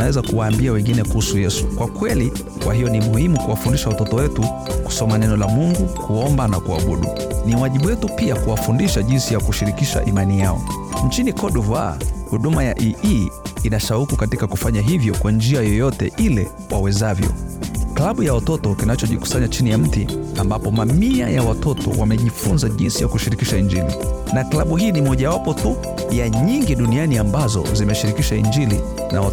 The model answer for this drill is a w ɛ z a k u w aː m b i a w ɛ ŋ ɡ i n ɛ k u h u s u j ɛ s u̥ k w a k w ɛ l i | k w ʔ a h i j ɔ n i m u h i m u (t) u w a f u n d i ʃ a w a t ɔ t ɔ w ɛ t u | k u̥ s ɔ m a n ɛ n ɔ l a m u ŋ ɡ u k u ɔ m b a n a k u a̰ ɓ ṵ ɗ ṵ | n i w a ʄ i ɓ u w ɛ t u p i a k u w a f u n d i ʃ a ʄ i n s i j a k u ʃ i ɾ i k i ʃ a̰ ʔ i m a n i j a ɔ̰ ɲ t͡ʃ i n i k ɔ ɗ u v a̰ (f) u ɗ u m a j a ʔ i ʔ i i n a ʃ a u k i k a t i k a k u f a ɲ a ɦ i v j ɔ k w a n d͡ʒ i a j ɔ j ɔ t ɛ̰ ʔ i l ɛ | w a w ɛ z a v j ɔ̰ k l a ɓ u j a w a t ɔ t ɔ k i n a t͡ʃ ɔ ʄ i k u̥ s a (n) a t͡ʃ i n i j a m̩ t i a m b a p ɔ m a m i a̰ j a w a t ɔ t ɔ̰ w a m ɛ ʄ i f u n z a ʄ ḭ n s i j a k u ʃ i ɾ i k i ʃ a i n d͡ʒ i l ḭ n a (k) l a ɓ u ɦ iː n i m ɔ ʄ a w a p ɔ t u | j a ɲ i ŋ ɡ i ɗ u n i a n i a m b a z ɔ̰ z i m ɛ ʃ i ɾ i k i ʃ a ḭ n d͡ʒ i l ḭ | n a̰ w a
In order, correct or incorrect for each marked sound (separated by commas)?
incorrect, incorrect, incorrect, correct